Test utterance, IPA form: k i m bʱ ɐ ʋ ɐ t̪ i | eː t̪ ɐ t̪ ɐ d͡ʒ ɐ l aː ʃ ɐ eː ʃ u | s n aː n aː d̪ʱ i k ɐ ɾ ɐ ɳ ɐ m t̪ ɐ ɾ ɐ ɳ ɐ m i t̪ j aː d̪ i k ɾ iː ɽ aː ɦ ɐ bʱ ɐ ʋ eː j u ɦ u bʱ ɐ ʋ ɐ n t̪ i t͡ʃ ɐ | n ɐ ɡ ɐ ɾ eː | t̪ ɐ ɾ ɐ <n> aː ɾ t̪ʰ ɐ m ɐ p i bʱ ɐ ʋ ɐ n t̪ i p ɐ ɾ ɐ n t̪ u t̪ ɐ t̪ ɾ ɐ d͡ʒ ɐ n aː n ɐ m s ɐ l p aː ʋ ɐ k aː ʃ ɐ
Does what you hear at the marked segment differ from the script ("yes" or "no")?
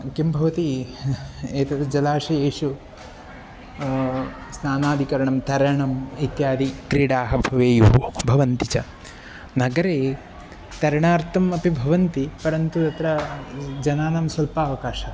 yes